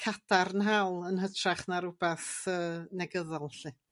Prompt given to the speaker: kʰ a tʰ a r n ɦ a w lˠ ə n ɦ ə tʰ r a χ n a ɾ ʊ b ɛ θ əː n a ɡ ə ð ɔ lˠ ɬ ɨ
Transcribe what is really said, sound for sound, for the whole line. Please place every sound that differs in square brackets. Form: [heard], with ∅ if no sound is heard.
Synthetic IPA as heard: kʰ a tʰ a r n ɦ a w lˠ ə n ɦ ə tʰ r a χ n a ɾ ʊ b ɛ θ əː n [ɛ] ɡ ə ð ɔ lˠ ɬ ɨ